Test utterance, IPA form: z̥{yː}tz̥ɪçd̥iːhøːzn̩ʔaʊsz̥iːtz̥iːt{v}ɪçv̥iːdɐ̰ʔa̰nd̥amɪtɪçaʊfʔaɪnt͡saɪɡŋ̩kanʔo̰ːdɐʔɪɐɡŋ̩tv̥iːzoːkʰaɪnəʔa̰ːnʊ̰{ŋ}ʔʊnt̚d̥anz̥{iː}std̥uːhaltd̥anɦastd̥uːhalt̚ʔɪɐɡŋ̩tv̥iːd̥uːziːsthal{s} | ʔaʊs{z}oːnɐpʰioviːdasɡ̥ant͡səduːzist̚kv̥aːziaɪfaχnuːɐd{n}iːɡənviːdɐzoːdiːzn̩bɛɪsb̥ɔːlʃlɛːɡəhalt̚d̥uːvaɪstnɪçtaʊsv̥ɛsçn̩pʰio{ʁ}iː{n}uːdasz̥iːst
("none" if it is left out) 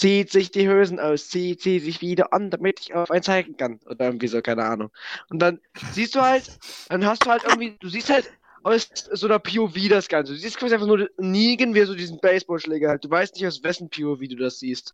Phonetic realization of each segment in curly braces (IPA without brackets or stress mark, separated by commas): iː, z, ŋ, iː, t, z, n, v, d